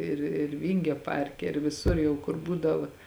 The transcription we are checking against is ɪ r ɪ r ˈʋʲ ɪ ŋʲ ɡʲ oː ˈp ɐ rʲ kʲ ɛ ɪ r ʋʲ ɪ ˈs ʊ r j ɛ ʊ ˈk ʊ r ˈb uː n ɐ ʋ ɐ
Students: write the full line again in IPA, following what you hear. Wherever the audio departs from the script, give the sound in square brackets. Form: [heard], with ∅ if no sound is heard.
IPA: ɪ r ɪ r ˈʋʲ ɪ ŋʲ ɡʲ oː ˈp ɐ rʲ kʲ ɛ ɪ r ʋʲ ɪ ˈs ʊ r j ɛ ʊ ˈk ʊ r ˈb uː [d] ɐ ʋ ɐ